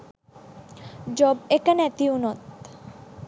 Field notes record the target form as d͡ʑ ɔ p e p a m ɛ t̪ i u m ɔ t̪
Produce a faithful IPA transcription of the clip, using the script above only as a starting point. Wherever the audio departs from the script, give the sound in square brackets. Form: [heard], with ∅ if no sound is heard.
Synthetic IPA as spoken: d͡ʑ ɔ [b] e [k] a [n] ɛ t̪ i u [n] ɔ t̪